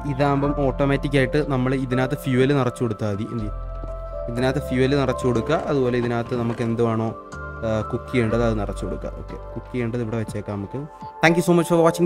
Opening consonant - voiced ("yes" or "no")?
yes